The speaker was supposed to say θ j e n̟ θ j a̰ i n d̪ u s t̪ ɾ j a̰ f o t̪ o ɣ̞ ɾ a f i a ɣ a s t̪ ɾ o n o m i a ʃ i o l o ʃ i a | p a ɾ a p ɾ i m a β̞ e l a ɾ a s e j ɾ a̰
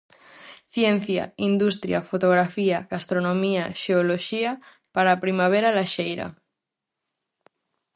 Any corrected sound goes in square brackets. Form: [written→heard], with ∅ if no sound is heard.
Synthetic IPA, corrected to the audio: θ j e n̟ θ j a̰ i n d̪ u s t̪ ɾ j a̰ f o t̪ o ɣ̞ ɾ a f i a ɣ a s t̪ ɾ o n o m i a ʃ [i→e] o l o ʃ i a | p a ɾ a p ɾ i m a β̞ e [l→ɾ] a [ɾ→l] a [s→ʃ] e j ɾ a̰